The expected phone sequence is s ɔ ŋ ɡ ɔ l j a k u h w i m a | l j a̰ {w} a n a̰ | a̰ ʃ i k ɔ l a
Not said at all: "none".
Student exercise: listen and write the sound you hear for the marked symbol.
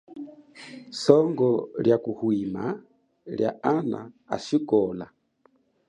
none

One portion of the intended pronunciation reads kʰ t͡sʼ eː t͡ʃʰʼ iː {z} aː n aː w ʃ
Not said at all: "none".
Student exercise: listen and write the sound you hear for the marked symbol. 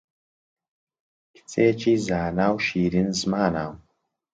z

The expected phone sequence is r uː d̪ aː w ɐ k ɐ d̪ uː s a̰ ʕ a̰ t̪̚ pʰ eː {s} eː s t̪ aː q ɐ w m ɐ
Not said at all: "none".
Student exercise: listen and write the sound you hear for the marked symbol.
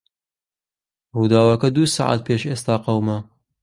ʃ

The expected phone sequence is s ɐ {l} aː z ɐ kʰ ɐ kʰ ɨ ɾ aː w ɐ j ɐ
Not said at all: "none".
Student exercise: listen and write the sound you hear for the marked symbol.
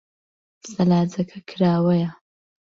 l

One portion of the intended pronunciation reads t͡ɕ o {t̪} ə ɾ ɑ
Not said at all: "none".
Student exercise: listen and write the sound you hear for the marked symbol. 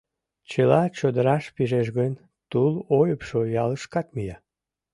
d̪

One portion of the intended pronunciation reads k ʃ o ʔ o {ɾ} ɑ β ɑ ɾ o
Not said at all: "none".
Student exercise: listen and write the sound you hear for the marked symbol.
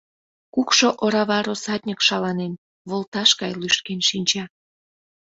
ɾ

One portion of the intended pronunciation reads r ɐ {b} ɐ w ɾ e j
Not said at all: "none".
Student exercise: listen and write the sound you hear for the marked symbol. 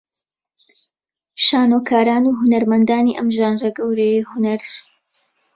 ɡ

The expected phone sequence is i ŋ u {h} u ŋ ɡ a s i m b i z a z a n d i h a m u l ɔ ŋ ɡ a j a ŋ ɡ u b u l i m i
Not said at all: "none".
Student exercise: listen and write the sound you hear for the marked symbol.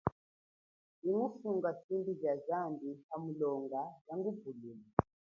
f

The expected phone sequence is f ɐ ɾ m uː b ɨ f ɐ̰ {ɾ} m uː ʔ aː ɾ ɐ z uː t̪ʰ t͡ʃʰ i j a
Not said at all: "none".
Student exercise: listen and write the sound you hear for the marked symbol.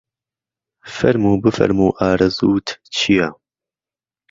ɾ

